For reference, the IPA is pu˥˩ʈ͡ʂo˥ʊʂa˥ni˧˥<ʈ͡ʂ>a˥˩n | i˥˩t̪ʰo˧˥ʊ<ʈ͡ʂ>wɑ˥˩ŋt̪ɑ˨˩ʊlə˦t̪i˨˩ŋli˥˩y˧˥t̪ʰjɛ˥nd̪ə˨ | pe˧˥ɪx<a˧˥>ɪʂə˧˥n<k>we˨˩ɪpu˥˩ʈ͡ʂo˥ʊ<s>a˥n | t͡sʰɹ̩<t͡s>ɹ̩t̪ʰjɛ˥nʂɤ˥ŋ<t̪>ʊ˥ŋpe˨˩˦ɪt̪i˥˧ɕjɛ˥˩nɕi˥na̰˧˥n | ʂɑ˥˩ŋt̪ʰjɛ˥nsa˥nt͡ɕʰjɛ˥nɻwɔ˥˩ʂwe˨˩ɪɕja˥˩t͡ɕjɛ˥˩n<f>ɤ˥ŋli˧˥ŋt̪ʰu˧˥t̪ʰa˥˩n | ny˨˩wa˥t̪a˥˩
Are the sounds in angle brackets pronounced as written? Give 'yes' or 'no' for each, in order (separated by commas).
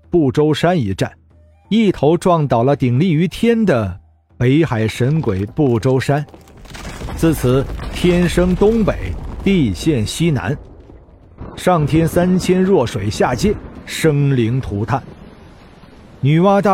yes, yes, no, yes, no, no, yes, no